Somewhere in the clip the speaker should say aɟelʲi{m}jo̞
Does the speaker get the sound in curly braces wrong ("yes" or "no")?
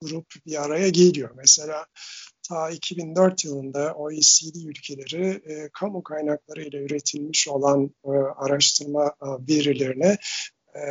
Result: yes